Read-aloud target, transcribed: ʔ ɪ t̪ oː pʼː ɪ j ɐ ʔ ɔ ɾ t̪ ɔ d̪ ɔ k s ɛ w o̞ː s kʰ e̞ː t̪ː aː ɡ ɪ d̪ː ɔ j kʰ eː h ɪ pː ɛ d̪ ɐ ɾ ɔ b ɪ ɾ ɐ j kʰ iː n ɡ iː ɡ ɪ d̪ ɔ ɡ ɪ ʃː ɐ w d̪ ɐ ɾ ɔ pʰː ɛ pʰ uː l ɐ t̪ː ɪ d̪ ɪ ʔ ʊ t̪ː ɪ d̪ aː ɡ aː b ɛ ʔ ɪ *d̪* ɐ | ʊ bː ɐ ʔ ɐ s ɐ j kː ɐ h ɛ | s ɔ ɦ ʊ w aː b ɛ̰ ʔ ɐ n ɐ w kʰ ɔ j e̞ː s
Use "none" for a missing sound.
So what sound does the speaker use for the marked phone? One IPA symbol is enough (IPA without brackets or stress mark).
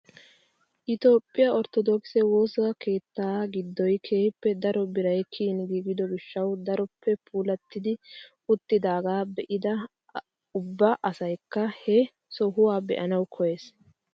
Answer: d̪